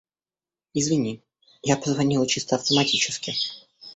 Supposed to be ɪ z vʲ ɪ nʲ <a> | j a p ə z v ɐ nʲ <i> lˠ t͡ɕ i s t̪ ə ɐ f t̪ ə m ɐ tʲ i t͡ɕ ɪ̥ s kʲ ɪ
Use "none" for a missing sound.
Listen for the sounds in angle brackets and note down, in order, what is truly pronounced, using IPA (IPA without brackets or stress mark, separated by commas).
i, i